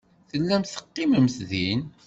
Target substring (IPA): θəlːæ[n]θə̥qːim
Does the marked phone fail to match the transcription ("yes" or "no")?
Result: yes